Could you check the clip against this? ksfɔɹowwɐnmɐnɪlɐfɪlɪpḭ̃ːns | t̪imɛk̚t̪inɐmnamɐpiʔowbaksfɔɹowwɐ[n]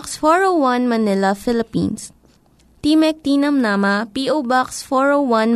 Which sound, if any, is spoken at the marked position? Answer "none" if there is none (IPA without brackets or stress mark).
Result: n